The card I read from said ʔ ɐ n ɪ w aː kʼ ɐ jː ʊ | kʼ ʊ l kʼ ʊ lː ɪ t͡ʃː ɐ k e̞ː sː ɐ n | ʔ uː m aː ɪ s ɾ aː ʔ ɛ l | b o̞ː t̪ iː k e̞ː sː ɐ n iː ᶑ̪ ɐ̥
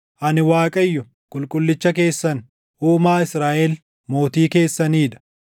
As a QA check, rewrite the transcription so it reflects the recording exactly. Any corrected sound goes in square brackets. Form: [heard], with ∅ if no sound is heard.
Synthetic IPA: ʔ ɐ n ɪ w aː kʼ ɐ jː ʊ | kʼ ʊ l kʼ ʊ lː ɪ t͡ʃː ɐ k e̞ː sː ɐ n | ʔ uː m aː ɪ s ɾ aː ʔ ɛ l | [m] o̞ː t̪ iː k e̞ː sː ɐ n iː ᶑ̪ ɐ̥